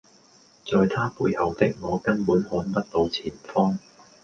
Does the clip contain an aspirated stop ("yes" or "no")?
yes